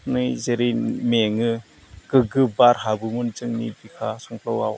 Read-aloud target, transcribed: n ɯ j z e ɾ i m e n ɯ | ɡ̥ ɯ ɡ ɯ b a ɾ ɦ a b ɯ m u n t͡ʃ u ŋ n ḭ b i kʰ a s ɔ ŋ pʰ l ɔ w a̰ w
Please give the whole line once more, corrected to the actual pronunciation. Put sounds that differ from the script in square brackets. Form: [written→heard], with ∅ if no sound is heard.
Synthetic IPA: n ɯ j z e ɾ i m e [n→ŋ] ɯ | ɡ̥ ɯ ɡ ɯ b a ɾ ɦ a b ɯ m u n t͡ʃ [u→ɯ] ŋ n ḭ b i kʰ a s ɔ ŋ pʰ l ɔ w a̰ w